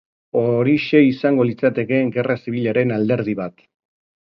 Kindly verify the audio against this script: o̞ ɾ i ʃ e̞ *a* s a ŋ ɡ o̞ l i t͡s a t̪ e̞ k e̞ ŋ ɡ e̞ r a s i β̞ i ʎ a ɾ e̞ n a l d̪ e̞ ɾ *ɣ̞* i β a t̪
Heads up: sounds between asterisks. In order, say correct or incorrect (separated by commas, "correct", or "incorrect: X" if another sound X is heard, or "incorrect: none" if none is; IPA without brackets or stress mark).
incorrect: i, incorrect: ð̞